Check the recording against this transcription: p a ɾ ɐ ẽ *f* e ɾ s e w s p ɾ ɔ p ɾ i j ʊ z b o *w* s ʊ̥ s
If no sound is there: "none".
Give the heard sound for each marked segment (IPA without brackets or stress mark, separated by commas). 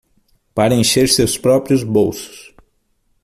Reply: ʃ, w